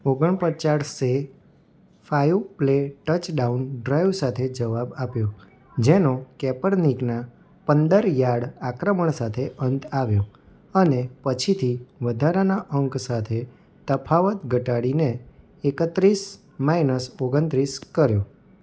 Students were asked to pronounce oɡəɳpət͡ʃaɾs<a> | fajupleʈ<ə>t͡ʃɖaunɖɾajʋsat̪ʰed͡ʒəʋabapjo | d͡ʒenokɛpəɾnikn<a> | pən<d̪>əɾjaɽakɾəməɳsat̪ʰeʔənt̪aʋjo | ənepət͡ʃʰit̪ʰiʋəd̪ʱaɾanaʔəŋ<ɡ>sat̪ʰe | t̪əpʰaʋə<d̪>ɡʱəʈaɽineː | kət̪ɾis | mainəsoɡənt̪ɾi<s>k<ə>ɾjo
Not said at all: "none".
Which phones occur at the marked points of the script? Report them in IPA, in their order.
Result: e, ə, a, d̪, k, t̪, s, ə

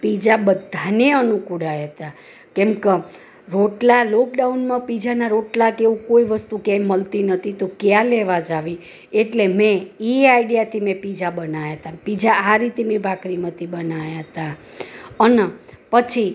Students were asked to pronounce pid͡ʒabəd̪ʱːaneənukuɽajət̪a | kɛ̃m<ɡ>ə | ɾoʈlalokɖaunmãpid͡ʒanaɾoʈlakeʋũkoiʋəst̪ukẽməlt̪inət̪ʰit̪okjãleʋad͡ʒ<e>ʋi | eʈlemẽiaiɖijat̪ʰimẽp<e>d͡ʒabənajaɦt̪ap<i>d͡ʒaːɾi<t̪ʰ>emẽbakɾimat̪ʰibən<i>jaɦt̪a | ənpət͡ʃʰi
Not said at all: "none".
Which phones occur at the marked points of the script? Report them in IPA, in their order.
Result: k, a, i, i, t̪, a

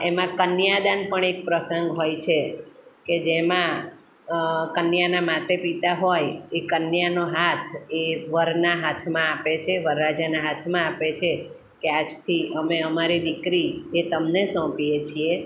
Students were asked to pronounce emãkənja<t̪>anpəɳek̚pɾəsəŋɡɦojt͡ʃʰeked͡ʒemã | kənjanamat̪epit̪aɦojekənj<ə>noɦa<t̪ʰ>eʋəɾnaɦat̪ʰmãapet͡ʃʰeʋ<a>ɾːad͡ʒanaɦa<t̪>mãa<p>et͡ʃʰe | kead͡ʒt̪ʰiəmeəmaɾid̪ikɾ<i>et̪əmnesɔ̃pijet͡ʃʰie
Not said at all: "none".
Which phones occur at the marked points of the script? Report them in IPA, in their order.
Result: d̪, a, t̪ʰ, ə, t̪ʰ, p, i

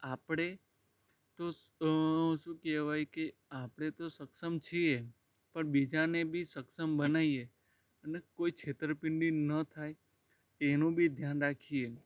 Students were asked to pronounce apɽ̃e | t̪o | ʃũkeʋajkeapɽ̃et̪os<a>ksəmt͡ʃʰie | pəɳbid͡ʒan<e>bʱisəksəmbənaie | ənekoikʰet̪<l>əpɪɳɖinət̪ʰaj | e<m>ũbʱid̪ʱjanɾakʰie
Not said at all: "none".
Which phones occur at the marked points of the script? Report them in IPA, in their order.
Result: ə, e, ɾ, n

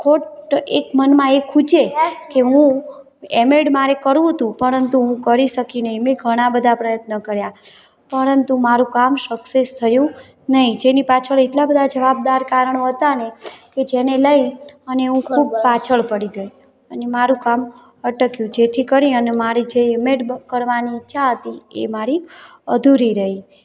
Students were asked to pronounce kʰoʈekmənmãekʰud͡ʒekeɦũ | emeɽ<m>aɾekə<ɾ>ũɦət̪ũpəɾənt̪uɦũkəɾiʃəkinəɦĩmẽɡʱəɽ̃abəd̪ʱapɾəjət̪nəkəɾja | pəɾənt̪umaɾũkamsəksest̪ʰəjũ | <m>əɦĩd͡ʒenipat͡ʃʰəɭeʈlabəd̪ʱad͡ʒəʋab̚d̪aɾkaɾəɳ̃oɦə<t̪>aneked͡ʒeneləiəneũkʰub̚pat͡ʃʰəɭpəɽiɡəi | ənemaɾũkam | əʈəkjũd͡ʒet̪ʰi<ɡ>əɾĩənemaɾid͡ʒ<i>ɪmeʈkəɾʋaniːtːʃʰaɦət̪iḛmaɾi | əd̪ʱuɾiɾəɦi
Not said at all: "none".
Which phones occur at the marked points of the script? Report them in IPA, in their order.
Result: m, ɾ, n, t̪, k, e

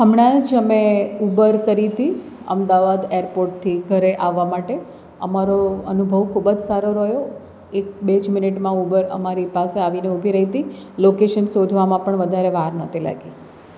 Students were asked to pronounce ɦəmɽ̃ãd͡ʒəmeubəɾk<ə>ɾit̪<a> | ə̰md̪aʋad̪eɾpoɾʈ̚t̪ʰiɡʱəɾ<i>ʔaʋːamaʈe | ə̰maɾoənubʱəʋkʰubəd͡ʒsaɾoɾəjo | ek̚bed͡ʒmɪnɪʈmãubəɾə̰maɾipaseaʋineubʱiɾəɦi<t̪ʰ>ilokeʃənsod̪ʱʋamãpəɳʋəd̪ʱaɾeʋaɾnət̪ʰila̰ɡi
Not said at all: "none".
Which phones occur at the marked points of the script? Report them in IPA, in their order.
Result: ə, i, e, t̪

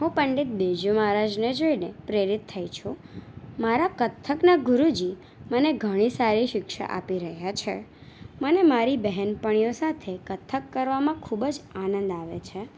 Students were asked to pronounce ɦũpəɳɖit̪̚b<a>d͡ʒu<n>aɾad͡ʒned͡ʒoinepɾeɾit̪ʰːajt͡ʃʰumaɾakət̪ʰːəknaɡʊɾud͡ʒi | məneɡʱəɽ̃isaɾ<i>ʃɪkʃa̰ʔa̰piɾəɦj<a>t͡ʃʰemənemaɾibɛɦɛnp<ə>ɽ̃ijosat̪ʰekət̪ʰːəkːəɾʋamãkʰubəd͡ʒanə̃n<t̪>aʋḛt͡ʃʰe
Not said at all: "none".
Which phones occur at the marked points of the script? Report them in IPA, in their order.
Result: e, m, i, a, ə, d̪

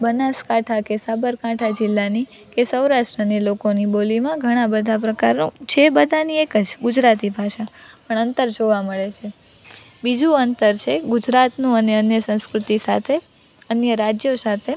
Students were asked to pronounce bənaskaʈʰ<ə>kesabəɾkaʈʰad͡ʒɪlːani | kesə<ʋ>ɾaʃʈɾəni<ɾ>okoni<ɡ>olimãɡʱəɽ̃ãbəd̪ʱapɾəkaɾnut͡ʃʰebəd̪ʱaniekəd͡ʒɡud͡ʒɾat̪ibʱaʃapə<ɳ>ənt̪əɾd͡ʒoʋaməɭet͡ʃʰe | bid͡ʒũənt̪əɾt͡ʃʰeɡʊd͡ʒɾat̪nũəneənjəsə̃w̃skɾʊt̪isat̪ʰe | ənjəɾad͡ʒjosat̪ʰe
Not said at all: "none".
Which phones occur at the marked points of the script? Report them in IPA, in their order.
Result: a, w, l, b, ɳ

